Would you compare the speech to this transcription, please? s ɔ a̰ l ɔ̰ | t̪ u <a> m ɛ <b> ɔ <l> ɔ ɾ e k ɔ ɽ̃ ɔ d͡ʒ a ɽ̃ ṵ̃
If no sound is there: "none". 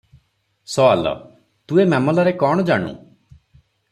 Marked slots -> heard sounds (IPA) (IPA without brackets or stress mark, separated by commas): e, m, l